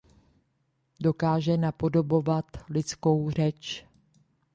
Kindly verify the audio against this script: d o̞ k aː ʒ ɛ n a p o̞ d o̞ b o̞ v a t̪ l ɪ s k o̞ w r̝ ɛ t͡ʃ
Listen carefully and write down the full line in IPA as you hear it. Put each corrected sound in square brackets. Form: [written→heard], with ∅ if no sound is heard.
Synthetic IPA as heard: d o̞ k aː ʒ ɛ n a p o̞ d o̞ b o̞ v a t̪ l ɪ [s→t͡s] k o̞ w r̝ ɛ t͡ʃ